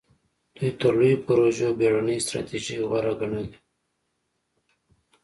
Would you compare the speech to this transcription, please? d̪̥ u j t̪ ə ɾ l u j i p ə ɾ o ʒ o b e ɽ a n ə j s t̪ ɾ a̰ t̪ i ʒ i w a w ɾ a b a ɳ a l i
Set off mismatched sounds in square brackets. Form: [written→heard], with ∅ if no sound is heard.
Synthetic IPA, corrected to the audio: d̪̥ u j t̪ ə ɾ l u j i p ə ɾ o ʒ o b e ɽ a n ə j s t̪ ɾ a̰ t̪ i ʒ i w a [w→∅] ɾ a [b→ɡ] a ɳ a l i